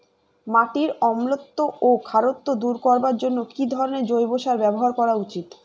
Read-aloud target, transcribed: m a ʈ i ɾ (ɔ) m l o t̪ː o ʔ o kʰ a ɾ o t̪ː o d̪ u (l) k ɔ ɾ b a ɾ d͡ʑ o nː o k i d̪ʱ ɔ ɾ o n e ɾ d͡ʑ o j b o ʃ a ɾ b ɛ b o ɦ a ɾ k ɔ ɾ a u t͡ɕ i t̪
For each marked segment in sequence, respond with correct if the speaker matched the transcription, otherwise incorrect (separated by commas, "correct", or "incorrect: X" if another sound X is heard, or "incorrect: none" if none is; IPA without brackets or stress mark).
correct, incorrect: ɾ